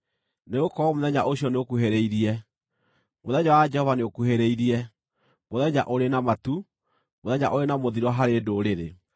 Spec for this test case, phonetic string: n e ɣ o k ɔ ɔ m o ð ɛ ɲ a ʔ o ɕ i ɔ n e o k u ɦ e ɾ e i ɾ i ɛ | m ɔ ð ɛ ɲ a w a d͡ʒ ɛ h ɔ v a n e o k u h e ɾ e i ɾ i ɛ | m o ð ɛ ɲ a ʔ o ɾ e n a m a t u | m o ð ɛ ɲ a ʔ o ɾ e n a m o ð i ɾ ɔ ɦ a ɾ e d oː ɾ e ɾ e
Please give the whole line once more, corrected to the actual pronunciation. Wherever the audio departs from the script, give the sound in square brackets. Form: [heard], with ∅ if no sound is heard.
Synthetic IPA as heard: n e ɣ o k ɔ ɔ m o ð ɛ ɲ a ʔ o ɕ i ɔ n e o k u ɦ e ɾ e i ɾ i ɛ | m [o] ð ɛ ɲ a w a d͡ʒ ɛ h ɔ v a n e o k u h e ɾ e i ɾ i ɛ | m o ð ɛ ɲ a ʔ o ɾ e n a m a t u | m o ð ɛ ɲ a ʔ o ɾ e n a m o ð i ɾ ɔ ɦ a ɾ e d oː ɾ e ɾ e